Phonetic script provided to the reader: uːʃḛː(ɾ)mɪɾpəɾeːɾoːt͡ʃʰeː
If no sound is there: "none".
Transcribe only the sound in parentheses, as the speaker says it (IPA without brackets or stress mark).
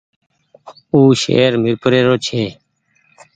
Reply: ɾ